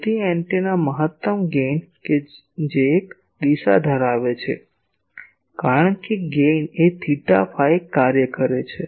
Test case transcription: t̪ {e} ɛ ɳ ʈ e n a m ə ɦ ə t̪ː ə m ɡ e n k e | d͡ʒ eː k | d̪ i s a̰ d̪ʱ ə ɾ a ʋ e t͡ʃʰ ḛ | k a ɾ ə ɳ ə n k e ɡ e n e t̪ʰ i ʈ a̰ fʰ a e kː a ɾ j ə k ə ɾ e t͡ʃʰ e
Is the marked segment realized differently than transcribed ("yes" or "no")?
yes